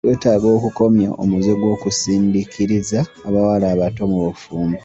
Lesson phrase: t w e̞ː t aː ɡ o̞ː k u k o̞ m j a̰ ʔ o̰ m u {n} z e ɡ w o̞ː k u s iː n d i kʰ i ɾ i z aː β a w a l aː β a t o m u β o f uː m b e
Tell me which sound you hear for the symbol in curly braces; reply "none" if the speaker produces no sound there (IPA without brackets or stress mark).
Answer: none